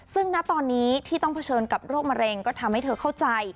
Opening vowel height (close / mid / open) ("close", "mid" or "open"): close